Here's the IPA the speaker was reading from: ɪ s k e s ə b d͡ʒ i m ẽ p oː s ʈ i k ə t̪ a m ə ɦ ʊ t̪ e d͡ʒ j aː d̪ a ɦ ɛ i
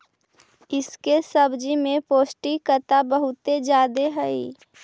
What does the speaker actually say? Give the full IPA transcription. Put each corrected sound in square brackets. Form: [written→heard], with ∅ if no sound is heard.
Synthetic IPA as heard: ɪ s k e s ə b d͡ʒ i m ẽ p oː s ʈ i k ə t̪ a [m→b] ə ɦ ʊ t̪ e d͡ʒ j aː d̪ [a→e] ɦ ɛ i